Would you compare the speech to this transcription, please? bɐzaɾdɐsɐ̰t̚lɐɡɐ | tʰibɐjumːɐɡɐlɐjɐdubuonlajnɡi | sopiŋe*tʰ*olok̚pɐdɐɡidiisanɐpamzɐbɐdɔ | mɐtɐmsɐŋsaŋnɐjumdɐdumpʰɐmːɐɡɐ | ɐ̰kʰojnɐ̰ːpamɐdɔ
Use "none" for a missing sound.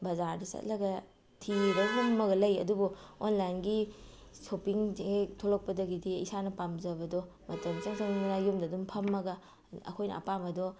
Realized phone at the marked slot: tʰ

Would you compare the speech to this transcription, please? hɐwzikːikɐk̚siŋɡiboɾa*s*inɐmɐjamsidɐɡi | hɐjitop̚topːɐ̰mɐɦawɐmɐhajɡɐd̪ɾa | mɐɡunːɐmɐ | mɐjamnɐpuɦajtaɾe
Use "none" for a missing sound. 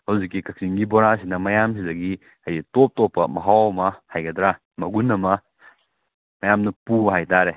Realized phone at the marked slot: s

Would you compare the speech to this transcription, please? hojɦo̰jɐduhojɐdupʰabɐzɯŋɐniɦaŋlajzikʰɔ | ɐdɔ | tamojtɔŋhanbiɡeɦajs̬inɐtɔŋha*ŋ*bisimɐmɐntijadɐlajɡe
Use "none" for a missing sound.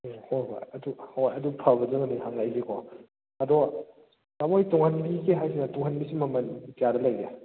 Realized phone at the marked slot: n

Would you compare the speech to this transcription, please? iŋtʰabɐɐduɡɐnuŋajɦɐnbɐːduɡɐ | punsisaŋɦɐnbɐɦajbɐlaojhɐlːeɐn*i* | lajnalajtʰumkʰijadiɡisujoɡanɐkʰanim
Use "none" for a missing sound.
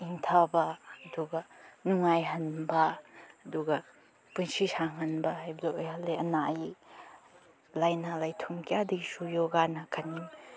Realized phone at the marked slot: a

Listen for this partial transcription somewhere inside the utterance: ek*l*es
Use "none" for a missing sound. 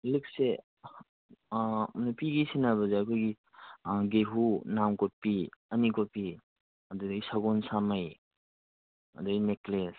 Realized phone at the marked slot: l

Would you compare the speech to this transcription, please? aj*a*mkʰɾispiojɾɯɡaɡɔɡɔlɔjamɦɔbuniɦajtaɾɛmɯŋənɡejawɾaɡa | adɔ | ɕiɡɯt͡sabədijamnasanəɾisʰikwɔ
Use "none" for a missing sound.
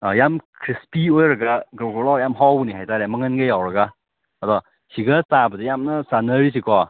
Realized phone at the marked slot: a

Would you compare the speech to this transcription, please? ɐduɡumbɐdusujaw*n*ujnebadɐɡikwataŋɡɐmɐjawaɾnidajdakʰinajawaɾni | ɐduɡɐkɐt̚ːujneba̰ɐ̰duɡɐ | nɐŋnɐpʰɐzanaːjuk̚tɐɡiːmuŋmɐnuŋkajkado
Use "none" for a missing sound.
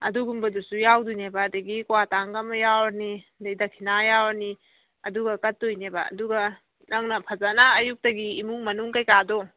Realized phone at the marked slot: d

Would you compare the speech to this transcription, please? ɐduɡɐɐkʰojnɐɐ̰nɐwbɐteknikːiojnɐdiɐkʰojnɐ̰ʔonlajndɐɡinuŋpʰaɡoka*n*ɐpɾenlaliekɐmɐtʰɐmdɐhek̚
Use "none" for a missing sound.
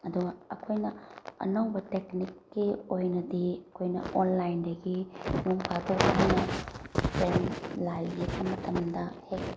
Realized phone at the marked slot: n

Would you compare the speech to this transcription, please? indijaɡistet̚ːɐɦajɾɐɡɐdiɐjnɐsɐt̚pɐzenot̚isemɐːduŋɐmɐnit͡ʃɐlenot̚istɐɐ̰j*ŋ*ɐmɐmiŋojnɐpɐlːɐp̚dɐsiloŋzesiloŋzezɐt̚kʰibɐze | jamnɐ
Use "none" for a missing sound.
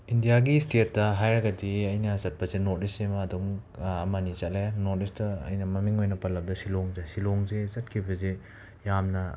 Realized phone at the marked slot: n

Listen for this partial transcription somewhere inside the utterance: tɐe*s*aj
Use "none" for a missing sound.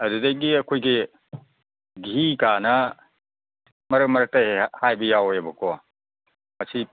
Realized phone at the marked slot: h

